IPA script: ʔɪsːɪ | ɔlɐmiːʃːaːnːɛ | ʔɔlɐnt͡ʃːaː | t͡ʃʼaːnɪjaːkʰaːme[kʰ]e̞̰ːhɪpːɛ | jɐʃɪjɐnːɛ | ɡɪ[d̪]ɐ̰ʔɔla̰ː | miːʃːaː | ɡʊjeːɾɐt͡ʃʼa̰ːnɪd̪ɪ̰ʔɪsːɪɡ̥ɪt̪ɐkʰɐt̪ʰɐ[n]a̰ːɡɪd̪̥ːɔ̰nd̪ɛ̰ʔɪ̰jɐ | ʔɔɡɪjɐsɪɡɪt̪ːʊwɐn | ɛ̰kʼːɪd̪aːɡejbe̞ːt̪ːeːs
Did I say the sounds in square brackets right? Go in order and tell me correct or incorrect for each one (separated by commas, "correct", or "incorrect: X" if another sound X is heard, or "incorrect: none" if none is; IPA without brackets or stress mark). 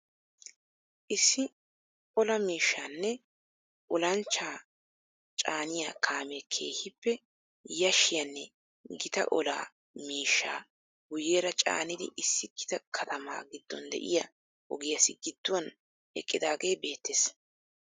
correct, incorrect: t̪, incorrect: m